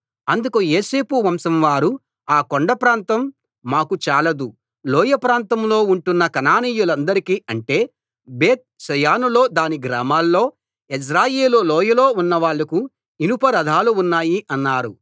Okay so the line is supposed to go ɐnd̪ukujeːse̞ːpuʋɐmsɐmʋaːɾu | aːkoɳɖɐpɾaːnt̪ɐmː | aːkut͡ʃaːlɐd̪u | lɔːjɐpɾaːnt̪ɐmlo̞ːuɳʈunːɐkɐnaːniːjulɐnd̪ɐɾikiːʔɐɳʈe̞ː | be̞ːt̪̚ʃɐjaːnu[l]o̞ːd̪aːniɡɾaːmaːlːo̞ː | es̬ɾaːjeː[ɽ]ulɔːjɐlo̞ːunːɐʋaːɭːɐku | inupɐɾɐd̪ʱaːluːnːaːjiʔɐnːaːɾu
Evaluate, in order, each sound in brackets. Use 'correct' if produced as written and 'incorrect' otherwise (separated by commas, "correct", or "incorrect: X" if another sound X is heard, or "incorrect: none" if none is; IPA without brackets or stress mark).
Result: correct, incorrect: l